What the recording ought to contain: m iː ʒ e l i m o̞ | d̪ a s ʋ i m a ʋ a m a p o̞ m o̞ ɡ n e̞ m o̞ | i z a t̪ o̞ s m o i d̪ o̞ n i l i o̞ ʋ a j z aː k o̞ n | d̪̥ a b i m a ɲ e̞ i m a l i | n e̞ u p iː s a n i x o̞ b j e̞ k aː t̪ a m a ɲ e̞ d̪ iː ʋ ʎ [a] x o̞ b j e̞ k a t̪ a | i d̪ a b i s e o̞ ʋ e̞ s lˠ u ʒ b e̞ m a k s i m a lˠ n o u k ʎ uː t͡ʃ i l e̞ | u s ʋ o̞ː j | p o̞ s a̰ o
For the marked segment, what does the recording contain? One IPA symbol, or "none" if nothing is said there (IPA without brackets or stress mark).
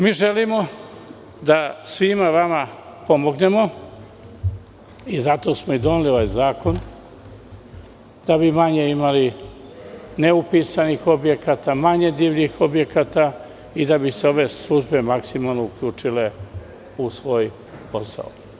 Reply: i